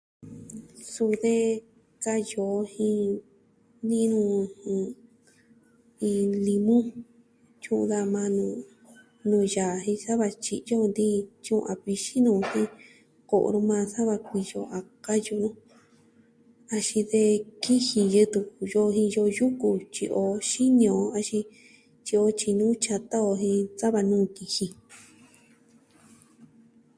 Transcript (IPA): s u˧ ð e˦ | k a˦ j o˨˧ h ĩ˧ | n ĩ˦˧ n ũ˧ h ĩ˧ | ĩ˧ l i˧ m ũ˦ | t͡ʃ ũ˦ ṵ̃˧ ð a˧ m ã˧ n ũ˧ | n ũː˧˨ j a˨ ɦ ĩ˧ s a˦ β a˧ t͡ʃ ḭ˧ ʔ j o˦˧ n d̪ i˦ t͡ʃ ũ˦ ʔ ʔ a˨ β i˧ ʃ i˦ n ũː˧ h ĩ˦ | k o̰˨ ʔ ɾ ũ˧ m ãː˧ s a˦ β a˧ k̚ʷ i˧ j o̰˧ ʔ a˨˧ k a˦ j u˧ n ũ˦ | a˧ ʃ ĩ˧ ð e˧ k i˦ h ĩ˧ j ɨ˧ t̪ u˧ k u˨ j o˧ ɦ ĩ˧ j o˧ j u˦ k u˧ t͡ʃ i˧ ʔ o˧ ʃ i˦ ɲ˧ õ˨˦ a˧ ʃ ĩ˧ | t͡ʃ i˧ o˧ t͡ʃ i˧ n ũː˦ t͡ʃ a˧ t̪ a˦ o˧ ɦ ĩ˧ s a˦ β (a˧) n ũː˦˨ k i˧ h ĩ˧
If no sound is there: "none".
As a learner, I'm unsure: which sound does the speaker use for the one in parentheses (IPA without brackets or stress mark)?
a˧